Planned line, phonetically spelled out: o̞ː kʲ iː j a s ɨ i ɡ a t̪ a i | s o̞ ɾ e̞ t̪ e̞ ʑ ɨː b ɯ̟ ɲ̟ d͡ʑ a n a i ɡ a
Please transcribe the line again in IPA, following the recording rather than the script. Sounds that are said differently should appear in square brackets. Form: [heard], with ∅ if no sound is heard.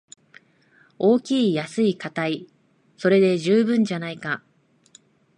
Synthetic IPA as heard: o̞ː kʲ iː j a s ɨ i [k] a t̪ a i | s o̞ ɾ e̞ [d̪] e̞ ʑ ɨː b [ɯ̟̃] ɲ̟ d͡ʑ a n a i [k] a